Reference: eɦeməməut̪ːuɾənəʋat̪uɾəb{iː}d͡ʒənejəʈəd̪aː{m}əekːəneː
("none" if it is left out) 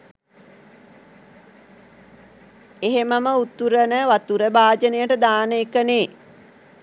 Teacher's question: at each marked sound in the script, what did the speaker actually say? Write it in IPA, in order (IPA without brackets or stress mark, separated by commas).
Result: aː, n